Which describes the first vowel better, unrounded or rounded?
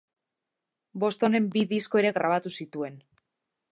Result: rounded